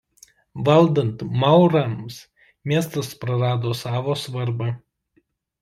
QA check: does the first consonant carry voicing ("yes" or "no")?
yes